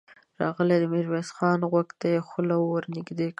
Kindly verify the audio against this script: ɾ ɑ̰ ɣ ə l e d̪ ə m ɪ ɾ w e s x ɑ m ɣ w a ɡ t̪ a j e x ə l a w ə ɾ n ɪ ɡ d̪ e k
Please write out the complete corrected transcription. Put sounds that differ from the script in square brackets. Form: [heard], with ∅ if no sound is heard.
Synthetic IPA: ɾ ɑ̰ ɣ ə l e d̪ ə m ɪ ɾ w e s x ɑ [n] ɣ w a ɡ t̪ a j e x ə l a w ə ɾ n ɪ ɡ d̪ e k